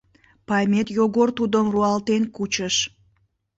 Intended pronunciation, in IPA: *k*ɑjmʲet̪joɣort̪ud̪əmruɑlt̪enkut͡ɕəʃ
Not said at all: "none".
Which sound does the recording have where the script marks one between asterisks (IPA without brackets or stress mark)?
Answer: p